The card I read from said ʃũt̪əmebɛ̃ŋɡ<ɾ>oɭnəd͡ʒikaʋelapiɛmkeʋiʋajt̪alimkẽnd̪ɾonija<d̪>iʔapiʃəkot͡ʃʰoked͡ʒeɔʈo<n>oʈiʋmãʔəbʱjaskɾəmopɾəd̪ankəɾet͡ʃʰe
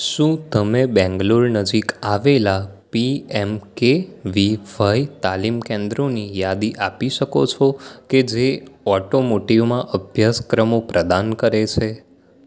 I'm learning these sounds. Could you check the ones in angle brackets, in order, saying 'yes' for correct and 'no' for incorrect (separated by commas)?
no, yes, no